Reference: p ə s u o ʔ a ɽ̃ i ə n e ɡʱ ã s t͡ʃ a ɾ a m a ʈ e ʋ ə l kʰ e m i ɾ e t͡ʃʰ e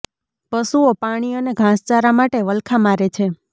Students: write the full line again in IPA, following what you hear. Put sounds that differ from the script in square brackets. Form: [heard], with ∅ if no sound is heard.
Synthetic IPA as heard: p ə s u o [p] a ɽ̃ i ə n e ɡʱ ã s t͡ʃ a ɾ a m a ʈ e ʋ ə l kʰ [a] m [a] ɾ e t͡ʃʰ e